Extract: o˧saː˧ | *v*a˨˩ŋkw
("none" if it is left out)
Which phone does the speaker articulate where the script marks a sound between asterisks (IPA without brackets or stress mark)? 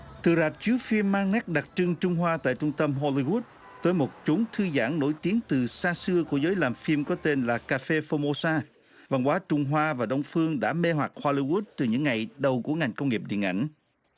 v